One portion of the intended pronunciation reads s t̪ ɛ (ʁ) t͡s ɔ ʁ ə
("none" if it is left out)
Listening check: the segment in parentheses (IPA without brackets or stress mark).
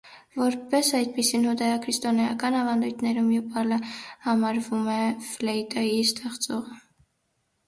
χ